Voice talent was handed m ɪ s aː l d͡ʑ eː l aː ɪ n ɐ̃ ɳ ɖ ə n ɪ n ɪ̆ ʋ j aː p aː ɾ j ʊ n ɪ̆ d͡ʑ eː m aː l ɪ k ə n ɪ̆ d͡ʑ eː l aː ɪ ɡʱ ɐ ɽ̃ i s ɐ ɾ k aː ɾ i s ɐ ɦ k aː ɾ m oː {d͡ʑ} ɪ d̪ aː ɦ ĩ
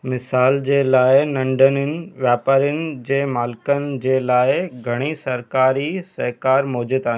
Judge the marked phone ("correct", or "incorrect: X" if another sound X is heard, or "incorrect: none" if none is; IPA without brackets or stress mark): correct